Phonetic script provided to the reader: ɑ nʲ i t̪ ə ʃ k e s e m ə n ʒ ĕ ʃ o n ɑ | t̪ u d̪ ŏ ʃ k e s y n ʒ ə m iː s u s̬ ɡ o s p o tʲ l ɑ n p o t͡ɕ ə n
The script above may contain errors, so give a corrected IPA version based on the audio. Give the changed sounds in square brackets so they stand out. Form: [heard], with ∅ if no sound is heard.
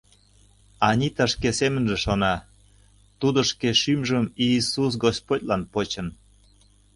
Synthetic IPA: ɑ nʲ i t̪ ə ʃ k e s e m ə n ʒ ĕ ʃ o n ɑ | t̪ u d̪ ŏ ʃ k e [ʃ] y [m] ʒ ə m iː s u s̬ ɡ o s p o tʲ l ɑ n p o t͡ɕ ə n